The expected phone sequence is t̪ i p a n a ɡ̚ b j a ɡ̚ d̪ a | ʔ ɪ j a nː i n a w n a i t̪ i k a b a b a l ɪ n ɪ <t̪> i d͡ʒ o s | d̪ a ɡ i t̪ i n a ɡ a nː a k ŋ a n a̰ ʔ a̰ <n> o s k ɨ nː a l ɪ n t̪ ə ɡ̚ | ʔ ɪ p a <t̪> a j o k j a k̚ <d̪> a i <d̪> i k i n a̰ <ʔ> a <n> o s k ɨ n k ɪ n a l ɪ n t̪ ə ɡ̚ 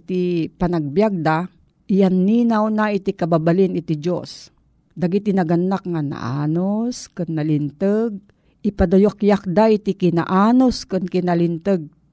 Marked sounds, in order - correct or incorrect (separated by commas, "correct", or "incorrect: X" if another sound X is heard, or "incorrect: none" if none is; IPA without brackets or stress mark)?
correct, correct, incorrect: d̪, correct, incorrect: t̪, correct, correct